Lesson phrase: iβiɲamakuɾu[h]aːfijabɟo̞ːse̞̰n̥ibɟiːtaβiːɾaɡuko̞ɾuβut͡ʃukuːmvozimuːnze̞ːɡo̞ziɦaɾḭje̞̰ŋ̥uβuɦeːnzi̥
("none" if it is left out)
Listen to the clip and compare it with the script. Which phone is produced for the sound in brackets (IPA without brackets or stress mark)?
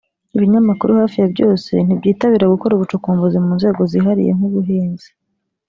h